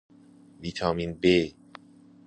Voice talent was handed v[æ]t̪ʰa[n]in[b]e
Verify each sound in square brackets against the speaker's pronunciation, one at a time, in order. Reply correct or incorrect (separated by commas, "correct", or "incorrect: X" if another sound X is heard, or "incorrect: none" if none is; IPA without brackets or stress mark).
incorrect: i, incorrect: m, correct